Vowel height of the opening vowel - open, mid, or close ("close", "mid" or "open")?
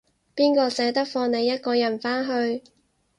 close